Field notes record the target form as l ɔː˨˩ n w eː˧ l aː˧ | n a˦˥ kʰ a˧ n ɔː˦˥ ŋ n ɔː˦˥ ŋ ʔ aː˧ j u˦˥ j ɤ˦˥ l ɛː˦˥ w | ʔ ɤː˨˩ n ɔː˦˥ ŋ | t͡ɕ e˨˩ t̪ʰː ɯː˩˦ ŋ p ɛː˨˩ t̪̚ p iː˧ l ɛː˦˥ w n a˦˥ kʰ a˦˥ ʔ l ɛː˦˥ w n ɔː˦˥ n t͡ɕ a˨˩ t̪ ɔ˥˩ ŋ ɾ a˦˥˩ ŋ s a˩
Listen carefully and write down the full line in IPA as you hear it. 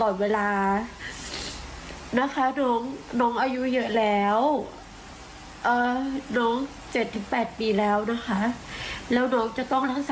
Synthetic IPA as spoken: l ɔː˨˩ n w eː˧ l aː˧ | n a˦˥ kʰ a˦˥ n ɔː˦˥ ŋ n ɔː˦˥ ŋ ʔ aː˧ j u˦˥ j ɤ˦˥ l ɛː˦˥ w | ʔ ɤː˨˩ n ɔː˦˥ ŋ | t͡ɕ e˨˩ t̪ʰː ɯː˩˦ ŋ p ɛː˨˩ t̪̚ p iː˧ l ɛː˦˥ w n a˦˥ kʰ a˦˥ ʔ l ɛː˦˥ w n ɔː˦˥ ŋ t͡ɕ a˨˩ t̪ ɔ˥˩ ŋ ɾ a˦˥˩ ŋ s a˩